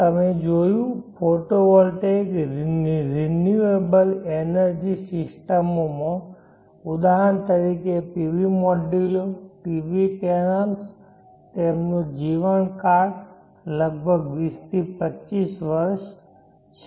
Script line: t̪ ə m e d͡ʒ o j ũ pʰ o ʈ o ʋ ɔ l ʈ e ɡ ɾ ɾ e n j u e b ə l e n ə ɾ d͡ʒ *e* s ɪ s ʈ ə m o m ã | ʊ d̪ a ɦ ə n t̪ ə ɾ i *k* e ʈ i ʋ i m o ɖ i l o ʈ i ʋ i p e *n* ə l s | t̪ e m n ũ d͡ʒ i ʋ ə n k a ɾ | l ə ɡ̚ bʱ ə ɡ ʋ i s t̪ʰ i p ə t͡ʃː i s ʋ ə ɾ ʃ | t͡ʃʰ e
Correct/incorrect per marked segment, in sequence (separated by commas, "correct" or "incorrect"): incorrect, correct, correct